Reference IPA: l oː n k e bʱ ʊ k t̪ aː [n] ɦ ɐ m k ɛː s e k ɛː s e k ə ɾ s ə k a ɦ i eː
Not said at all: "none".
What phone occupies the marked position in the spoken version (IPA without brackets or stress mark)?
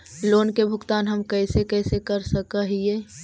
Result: n